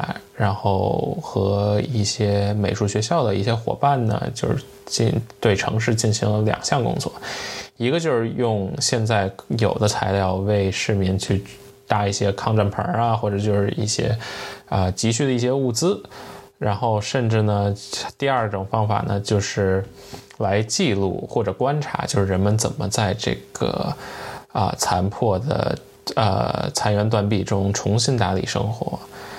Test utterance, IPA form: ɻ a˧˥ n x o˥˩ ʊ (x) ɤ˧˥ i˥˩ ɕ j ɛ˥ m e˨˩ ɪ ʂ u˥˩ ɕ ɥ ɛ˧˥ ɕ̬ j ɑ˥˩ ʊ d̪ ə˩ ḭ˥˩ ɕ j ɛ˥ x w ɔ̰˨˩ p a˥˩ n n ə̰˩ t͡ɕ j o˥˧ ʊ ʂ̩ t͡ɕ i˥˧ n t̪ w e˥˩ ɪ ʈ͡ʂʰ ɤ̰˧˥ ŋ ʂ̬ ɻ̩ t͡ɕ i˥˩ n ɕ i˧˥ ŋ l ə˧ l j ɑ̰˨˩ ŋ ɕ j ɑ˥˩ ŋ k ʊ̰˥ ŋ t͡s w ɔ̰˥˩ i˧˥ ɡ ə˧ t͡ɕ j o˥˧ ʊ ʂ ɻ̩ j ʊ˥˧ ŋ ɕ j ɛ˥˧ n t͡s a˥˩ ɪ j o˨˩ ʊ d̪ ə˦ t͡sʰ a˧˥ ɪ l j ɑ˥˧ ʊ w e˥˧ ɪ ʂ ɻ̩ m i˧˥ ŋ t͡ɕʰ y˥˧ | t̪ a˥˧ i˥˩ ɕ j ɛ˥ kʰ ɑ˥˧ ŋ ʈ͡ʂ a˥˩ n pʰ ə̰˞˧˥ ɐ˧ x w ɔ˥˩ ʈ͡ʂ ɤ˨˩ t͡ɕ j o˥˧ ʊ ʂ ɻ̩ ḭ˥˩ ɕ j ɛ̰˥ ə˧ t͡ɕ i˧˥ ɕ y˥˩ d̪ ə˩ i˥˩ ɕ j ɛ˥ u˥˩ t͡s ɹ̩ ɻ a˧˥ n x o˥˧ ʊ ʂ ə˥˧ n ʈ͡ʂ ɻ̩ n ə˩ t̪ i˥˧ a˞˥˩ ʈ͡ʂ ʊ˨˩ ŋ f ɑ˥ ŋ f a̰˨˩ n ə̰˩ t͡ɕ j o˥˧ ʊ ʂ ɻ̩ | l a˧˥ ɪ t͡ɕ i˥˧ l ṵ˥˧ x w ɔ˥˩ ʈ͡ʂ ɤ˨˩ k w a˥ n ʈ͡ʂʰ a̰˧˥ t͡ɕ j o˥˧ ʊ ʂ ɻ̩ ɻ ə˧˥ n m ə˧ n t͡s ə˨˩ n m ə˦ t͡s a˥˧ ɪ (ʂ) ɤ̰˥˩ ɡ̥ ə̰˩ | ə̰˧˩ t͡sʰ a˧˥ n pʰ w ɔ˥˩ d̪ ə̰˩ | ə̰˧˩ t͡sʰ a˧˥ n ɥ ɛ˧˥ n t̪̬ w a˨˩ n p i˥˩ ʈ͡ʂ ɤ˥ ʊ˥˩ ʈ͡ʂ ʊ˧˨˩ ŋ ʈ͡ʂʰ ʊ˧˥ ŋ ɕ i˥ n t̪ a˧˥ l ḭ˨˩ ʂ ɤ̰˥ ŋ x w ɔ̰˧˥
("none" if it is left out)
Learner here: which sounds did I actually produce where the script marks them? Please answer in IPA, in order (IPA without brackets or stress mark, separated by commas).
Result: x, ʈ͡ʂ